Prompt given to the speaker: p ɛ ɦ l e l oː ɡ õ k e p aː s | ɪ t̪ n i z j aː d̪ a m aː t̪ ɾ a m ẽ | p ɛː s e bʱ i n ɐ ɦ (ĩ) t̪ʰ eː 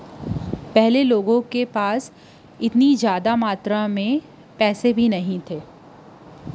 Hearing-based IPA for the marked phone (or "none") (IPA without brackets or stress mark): ĩ